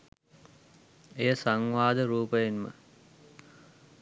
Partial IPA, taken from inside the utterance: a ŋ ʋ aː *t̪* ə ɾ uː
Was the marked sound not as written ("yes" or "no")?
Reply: yes